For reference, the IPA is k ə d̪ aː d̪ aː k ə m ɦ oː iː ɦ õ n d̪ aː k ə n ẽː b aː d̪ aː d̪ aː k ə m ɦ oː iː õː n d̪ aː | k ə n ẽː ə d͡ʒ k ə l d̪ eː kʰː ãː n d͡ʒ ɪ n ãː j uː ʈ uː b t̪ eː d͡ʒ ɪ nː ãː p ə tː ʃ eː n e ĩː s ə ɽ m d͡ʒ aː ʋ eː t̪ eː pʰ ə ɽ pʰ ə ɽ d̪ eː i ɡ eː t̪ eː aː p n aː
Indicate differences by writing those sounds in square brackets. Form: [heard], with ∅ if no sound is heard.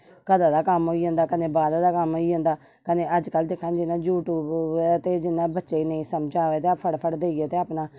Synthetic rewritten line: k ə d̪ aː d̪ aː k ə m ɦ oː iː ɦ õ n d̪ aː k ə n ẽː b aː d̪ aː d̪ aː k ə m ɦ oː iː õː n d̪ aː | k ə n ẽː ə d͡ʒ k ə l d̪ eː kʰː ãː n d͡ʒ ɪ n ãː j uː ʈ uː b t̪ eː d͡ʒ ɪ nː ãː [b] ə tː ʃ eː n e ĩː s ə [∅] m d͡ʒ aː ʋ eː t̪ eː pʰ ə ɽ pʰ ə ɽ d̪ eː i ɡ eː t̪ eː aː p n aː